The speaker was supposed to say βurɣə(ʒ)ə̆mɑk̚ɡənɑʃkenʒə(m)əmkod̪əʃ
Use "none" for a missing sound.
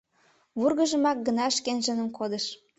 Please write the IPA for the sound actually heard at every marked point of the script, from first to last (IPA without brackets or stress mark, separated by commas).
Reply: ʒ, n